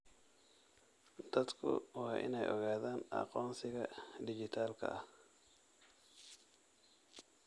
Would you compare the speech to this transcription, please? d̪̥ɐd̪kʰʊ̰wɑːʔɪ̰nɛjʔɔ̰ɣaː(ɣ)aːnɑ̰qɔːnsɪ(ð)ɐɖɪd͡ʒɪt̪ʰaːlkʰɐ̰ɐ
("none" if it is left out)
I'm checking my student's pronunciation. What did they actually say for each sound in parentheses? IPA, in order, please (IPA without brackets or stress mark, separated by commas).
ð, ɣ